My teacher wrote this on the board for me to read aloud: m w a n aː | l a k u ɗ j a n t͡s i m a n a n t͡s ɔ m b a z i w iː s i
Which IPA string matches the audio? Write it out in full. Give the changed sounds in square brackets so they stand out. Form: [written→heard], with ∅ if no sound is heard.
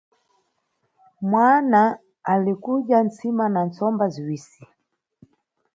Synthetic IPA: m w a n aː | l [a→i] k u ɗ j a n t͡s i m a n a n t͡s ɔ m b a z i w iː s i